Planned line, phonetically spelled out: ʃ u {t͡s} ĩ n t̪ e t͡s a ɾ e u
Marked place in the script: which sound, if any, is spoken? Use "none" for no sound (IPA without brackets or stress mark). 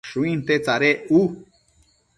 none